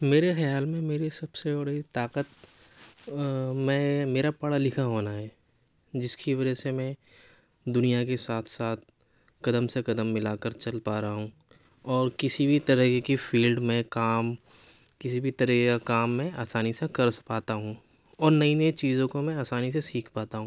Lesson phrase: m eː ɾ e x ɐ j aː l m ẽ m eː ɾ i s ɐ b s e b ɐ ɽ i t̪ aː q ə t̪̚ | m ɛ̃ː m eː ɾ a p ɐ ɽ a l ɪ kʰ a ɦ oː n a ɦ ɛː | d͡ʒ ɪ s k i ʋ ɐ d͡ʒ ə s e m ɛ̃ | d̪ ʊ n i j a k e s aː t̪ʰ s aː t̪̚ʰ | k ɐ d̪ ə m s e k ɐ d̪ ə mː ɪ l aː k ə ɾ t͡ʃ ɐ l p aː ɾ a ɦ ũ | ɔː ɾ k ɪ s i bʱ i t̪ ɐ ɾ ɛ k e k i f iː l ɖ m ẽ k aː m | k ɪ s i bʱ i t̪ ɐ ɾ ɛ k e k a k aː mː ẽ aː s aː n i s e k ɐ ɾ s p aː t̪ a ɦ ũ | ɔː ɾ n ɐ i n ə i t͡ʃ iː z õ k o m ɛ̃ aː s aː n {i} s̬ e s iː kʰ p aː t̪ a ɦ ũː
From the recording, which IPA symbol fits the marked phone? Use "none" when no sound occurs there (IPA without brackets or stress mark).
i